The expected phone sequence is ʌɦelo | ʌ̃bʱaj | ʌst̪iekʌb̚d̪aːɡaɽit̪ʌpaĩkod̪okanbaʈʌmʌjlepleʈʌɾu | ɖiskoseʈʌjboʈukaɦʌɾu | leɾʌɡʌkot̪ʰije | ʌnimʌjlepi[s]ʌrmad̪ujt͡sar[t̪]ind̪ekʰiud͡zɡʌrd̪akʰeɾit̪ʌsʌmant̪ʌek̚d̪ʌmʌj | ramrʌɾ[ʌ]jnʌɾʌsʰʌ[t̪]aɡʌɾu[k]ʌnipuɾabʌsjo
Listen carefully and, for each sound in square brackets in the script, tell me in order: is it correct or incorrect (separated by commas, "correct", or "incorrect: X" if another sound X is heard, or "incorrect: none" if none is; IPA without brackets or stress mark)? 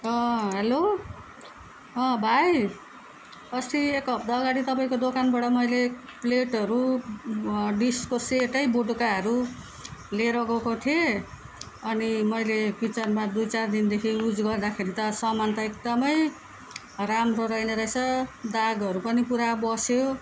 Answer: incorrect: t͡s, incorrect: d̪, correct, incorrect: d̪, incorrect: p